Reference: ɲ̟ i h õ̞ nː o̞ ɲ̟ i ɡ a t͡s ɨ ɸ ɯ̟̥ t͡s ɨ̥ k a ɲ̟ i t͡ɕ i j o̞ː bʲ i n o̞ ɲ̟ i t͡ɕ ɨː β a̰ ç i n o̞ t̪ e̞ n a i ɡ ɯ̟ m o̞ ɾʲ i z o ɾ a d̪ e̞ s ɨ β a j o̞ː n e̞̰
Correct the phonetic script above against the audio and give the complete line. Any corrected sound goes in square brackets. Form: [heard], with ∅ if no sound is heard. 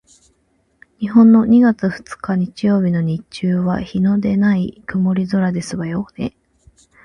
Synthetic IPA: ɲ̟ i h õ̞ nː o̞ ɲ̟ i ɡ a t͡s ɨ ɸ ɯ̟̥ t͡s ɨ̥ k a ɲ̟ i t͡ɕ i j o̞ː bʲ i n o̞ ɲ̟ i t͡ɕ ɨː β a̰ ç i n o̞ [d̪] e̞ n a i [k] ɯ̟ m o̞ ɾʲ i z o ɾ a d̪ e̞ s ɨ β a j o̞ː n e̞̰